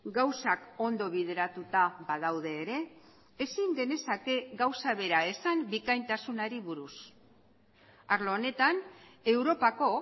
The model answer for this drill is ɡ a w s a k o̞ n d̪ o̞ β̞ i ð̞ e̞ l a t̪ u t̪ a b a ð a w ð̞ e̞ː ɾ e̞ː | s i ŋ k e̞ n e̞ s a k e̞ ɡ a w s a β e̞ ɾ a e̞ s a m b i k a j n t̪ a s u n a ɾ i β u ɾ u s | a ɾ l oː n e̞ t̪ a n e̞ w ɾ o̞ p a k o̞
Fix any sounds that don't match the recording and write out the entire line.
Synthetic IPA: ɡ a w s a k o̞ n d̪ o̞ β̞ i ð̞ e̞ ɾ a t̪ u t̪ a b a ð a w ð̞ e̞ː ɾ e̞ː | s i ŋ ɡ e̞ n e̞ s a k e̞ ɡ a w s a β e̞ ɾ a e̞ s a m b i k a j n t̪ a s u n a ɾ i β u ɾ u s | a ɾ l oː n e̞ t̪ a n e̞ w ɾ o̞ p a k o̞